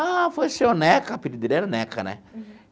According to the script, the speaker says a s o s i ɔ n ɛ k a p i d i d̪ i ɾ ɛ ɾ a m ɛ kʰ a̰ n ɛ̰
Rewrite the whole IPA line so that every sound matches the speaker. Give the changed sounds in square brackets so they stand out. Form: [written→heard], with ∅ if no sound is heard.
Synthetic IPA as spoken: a [s→f] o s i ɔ n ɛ k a p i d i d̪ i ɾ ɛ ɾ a [m→n] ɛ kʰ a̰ n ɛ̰